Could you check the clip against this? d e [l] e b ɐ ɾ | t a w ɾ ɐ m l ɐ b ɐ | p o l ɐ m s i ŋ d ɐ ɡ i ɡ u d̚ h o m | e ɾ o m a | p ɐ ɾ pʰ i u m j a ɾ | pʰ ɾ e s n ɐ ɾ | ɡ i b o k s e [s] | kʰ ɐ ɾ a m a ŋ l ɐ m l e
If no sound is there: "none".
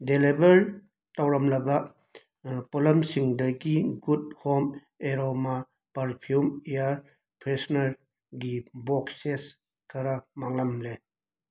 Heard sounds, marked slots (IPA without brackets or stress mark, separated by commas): l, s